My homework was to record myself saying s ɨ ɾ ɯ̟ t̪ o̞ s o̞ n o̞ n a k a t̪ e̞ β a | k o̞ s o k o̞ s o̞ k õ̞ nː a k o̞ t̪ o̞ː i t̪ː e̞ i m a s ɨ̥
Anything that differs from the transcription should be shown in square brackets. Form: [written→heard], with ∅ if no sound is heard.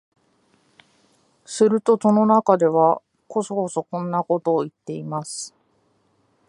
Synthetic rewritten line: s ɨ ɾ ɯ̟ t̪ o̞ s o̞ n o̞ n a k a [t̪→d̪] e̞ β a | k o̞ s o k o̞ s o̞ k õ̞ nː a k o̞ t̪ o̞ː i t̪ː e̞ i m a s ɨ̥